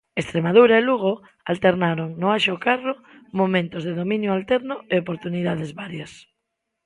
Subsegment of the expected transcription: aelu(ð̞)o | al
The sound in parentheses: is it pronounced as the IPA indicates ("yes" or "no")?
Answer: no